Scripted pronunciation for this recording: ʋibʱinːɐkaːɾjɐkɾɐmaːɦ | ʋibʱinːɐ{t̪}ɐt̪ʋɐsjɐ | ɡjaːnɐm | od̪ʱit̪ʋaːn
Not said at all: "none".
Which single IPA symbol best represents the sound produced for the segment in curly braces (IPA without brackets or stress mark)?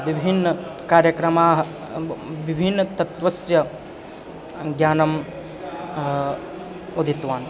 t̪